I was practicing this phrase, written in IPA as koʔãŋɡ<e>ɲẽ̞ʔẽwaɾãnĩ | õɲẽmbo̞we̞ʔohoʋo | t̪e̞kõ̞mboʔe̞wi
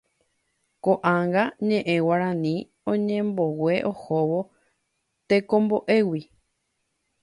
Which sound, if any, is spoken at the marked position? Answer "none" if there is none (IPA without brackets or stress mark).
a